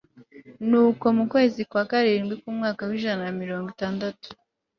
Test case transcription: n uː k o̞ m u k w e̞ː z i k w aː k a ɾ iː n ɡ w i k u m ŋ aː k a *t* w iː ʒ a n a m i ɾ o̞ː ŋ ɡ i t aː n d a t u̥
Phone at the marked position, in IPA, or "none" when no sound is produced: none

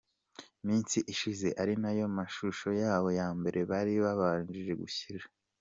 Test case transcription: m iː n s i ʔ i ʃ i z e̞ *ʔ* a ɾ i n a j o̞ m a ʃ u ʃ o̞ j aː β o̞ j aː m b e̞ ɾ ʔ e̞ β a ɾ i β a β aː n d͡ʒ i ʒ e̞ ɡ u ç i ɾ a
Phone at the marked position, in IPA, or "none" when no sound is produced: ʔ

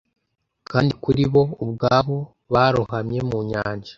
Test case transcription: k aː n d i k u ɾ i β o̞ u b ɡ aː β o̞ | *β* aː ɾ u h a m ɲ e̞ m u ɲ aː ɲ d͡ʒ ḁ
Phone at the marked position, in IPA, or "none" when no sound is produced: β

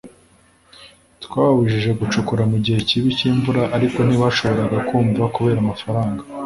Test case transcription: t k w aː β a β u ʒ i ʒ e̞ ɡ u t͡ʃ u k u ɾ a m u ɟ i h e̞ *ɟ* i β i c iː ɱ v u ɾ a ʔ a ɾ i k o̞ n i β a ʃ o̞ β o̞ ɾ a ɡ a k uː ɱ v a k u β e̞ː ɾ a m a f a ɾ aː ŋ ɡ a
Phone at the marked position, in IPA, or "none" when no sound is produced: c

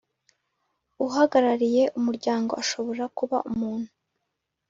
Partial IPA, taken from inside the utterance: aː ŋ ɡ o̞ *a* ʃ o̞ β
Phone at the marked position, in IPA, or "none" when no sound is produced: a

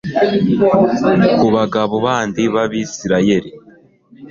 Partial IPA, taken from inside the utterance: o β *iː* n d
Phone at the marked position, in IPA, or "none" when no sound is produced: aː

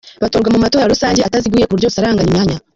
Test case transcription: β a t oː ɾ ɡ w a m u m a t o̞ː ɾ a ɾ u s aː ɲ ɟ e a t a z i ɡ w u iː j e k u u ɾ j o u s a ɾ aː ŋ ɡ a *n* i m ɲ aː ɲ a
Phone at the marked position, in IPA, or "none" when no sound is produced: ɲ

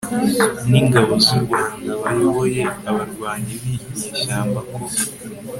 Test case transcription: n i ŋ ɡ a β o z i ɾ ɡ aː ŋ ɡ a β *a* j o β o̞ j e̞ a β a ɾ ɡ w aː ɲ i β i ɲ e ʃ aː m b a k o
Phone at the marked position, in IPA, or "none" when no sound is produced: a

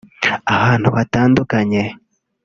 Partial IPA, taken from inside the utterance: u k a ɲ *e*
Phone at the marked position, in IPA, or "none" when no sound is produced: e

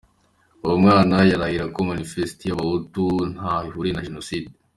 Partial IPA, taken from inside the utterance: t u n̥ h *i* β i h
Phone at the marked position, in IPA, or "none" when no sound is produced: a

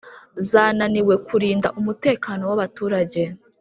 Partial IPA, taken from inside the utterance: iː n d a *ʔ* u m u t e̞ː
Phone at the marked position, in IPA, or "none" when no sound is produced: ʔ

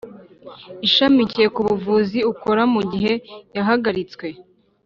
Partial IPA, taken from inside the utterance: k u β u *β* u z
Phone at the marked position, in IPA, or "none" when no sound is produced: v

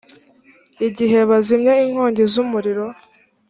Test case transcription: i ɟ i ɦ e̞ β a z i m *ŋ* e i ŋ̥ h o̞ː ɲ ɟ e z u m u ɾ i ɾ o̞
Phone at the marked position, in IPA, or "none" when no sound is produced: ɲ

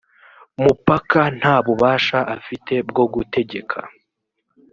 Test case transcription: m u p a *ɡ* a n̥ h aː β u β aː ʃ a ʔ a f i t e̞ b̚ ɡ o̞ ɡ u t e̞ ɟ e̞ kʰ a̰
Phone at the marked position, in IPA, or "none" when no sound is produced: k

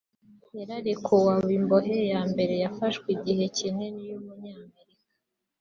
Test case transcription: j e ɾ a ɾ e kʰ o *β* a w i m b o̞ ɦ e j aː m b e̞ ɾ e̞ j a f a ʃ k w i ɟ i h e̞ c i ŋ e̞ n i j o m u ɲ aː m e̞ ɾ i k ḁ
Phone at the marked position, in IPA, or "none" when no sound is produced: w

